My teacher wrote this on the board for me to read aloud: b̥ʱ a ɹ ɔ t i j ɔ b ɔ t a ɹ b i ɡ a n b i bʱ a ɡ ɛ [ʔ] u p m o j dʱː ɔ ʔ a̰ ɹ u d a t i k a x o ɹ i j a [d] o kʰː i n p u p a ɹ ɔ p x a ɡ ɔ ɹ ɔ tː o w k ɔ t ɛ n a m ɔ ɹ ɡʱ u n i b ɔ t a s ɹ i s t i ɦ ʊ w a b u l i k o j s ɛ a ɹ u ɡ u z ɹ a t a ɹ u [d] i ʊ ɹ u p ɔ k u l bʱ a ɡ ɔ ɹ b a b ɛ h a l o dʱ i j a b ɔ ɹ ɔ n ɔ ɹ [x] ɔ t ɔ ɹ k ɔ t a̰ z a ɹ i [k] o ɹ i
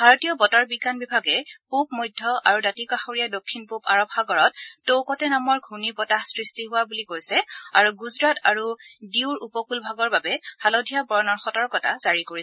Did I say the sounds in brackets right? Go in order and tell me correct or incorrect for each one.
incorrect: p, correct, correct, correct, correct

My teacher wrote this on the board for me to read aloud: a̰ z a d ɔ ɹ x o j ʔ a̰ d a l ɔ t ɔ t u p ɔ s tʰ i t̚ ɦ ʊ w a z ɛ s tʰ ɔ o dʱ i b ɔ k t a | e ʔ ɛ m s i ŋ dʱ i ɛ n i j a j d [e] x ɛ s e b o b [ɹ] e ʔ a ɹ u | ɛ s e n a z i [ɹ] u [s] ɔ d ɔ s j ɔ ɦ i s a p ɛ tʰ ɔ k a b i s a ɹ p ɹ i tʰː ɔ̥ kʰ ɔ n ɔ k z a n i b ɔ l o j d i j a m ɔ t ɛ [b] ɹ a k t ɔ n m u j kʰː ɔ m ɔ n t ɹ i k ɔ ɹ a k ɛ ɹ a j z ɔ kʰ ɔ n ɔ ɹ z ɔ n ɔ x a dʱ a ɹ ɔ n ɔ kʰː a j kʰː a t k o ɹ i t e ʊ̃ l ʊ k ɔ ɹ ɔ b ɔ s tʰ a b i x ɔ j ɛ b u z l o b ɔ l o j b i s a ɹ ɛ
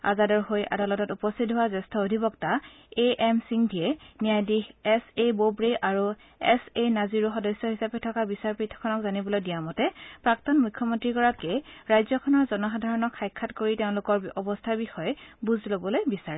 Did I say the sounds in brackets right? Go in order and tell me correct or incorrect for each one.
incorrect: i, correct, correct, incorrect: x, incorrect: p

